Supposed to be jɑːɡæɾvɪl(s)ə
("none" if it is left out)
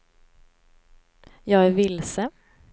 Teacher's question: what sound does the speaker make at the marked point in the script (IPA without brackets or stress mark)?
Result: s